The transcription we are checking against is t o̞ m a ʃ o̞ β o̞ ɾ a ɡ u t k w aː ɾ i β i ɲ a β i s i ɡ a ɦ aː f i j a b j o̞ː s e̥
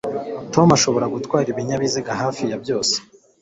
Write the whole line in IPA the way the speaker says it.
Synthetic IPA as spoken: t o̞ m a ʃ o̞ β o̞ ɾ a ɡ u t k w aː ɾ i β i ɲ a β i z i ɡ a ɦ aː f i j a b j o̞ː s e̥